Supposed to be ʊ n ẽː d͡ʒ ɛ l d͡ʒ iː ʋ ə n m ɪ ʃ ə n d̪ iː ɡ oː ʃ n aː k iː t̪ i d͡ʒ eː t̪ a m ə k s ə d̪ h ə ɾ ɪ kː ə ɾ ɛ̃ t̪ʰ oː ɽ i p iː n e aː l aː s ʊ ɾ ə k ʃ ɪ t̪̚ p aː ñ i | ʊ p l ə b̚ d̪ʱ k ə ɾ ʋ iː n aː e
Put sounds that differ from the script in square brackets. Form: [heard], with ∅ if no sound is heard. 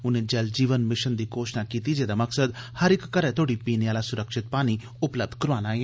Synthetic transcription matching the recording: ʊ n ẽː d͡ʒ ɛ l d͡ʒ iː ʋ ə n m ɪ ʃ ə n d̪ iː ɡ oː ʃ n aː k iː t̪ i d͡ʒ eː [d̪] a m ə k s ə d̪ h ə ɾ ɪ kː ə ɾ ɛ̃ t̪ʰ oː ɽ i p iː n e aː l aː s ʊ ɾ ə k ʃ ɪ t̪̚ p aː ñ i | ʊ p l ə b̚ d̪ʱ k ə ɾ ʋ [aː] n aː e